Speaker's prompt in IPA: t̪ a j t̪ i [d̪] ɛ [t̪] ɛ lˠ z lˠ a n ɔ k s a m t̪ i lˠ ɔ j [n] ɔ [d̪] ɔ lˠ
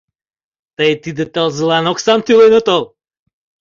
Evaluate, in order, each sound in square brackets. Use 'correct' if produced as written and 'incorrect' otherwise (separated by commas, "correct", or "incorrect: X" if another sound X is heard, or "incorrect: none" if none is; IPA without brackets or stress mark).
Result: correct, correct, correct, incorrect: t̪